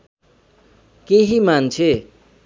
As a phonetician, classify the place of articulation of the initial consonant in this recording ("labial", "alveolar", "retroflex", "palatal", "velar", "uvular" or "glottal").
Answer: velar